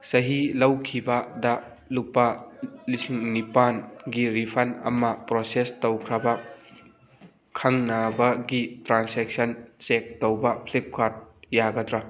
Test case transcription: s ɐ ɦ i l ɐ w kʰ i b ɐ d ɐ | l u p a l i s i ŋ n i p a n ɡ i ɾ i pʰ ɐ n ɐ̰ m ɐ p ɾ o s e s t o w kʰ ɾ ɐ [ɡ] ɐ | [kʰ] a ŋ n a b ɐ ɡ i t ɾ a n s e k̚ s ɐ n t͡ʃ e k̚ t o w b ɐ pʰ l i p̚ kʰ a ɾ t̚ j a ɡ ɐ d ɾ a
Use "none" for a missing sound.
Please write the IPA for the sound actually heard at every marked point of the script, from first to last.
b, kʰ

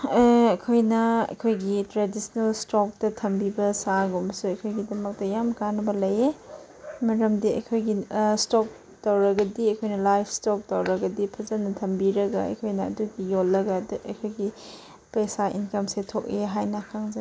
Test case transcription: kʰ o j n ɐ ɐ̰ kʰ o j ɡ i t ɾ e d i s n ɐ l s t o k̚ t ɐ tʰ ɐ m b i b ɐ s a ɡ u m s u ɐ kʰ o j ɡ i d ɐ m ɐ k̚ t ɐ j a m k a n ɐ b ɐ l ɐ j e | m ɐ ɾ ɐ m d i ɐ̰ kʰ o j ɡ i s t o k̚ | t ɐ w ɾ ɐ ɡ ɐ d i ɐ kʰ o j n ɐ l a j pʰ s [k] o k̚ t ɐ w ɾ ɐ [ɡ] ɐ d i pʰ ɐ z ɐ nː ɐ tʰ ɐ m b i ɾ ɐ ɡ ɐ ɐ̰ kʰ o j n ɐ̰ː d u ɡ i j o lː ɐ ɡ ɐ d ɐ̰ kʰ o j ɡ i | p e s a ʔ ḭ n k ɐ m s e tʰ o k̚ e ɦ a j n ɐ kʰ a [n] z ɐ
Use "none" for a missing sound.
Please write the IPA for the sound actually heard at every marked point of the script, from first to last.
t, ɡ, ŋ

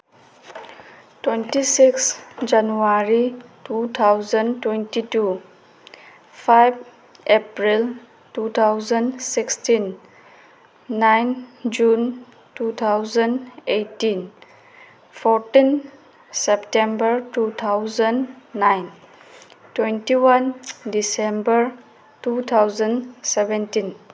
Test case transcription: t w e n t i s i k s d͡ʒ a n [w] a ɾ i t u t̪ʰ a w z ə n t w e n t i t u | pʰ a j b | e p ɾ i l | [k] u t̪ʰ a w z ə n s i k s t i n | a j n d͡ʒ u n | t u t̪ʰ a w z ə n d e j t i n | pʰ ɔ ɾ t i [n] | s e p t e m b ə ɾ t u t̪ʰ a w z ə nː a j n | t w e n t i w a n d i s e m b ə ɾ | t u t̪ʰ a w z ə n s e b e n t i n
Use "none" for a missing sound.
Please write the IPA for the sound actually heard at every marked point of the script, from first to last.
u, t, n

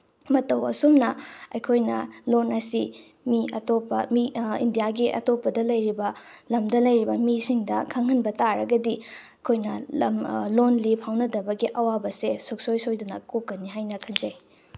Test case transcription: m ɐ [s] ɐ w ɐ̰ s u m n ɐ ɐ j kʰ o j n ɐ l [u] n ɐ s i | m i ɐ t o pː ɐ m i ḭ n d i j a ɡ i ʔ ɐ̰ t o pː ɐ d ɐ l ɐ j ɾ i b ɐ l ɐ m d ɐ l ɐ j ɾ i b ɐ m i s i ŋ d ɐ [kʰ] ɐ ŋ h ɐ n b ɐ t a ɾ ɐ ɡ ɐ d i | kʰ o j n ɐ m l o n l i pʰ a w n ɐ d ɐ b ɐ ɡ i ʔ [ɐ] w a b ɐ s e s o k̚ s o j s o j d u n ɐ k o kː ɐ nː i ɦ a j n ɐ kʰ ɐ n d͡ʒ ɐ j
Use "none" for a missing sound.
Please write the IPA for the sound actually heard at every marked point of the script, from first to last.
t, o, kʰ, ɐ

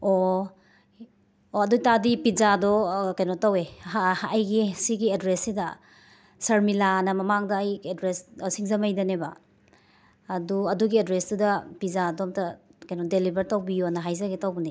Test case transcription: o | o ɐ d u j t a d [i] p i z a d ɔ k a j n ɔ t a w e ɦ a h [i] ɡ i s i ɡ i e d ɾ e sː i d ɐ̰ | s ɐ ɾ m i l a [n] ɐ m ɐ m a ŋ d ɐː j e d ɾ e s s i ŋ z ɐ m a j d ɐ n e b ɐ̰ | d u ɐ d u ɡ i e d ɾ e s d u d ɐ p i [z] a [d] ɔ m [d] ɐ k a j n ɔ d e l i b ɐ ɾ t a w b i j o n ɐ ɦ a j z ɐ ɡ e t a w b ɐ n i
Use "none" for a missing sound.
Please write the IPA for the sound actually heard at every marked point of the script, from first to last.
i, j, n, z, d, t

